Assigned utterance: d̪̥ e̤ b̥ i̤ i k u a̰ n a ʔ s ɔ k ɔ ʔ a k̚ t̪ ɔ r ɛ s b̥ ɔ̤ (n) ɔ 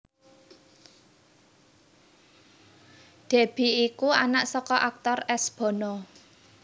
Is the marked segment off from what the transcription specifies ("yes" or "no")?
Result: no